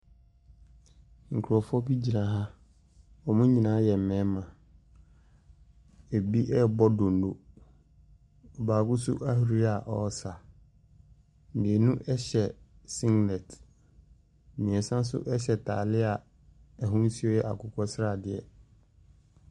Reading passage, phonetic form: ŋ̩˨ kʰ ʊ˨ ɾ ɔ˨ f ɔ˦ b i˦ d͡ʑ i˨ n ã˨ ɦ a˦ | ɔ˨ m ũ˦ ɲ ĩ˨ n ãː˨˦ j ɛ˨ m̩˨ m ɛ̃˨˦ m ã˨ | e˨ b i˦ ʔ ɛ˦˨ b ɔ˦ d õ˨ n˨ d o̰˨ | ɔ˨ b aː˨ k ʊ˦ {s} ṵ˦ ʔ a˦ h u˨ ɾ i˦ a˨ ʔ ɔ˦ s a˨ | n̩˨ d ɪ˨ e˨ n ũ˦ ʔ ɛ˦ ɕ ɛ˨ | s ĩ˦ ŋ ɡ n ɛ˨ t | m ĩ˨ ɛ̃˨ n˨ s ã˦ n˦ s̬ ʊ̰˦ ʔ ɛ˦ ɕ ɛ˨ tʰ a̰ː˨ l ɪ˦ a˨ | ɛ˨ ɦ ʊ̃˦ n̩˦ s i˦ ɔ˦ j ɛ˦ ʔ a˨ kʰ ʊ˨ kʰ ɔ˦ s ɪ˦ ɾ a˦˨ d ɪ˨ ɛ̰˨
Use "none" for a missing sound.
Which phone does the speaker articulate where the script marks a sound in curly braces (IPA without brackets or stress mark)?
s